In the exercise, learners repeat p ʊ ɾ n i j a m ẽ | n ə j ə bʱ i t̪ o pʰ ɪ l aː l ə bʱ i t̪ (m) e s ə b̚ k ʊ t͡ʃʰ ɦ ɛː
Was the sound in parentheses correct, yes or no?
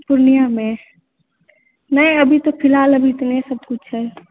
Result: no